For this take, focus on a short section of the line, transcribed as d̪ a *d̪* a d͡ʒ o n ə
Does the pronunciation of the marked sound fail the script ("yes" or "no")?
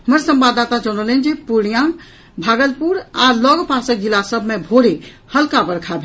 yes